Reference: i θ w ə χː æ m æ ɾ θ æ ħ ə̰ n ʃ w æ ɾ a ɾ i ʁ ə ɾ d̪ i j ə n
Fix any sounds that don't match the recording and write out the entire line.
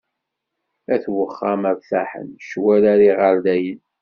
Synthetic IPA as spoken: æ θ w ə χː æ m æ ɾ θ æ ħ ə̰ n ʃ w æ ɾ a ɾ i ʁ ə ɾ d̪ æ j ə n